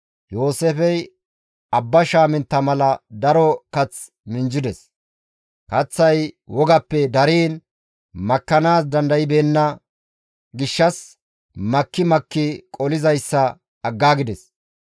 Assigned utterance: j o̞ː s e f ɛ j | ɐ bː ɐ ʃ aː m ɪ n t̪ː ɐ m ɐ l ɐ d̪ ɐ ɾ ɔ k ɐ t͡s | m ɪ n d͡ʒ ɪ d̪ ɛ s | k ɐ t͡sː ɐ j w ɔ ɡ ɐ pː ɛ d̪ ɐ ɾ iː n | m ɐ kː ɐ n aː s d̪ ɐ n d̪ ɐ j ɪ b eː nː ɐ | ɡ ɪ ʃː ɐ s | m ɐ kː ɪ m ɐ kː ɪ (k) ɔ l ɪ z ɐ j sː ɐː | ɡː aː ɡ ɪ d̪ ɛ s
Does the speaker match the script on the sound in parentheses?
no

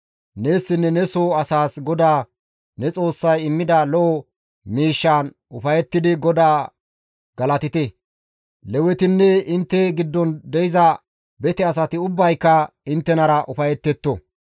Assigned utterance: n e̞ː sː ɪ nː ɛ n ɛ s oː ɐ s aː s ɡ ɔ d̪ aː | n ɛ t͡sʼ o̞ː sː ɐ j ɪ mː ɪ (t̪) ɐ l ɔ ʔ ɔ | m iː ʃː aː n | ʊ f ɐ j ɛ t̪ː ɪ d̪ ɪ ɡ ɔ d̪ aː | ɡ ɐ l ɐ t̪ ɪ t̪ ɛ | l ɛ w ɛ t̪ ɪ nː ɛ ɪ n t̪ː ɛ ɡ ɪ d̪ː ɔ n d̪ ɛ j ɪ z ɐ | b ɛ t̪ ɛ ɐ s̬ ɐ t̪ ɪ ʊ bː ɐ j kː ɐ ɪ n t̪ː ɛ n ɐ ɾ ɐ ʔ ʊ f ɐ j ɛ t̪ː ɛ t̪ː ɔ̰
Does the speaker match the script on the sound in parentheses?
no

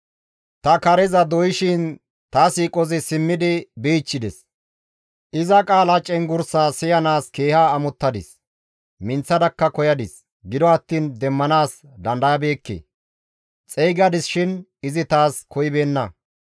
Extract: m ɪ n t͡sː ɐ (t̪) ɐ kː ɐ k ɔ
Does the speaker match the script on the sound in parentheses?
no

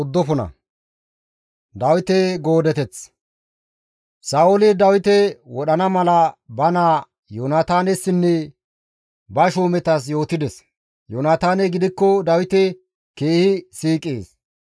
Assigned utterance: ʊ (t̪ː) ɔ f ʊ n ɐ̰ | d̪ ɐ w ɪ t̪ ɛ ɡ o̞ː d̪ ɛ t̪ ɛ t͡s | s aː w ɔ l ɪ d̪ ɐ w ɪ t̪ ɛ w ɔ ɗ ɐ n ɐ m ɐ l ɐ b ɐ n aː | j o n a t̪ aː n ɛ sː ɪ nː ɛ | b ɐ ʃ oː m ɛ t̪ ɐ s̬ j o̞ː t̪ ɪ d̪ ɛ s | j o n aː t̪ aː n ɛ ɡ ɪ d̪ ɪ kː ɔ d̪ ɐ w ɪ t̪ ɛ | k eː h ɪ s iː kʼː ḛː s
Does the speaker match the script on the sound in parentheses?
no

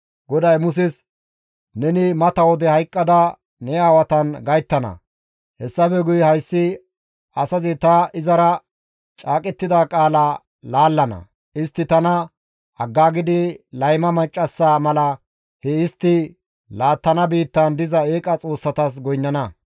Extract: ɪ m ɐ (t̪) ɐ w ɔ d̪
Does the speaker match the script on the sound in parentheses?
yes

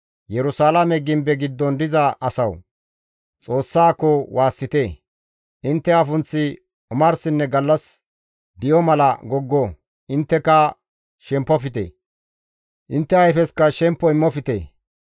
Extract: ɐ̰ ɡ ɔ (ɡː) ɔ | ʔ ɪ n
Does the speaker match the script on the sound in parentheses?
yes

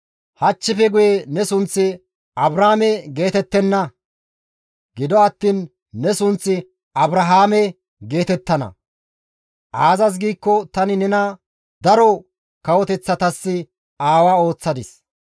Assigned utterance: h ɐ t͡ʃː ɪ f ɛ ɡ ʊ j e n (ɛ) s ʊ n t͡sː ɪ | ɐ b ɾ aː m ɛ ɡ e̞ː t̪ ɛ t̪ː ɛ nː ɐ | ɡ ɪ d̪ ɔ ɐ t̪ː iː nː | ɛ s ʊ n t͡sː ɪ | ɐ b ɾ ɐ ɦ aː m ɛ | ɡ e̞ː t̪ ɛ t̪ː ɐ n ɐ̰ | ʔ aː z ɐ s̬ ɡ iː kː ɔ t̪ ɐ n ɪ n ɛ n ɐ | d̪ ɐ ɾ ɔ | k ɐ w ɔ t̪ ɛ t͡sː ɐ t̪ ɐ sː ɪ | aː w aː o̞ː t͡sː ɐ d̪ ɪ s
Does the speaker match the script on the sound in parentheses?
yes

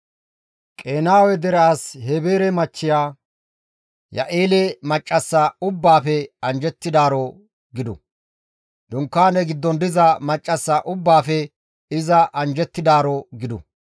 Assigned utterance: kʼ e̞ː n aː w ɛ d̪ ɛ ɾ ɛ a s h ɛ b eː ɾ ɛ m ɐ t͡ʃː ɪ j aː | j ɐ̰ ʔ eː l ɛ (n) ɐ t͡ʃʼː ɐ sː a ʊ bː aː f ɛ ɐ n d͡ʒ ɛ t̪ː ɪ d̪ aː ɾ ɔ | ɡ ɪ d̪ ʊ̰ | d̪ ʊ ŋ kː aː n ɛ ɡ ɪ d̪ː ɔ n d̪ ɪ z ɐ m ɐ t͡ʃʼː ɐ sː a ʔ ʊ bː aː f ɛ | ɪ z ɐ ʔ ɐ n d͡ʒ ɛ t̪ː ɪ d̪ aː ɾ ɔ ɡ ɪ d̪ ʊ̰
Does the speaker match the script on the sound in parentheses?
no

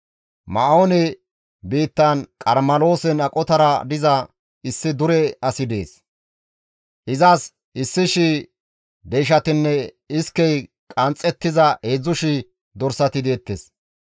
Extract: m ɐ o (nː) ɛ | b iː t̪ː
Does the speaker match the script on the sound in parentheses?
no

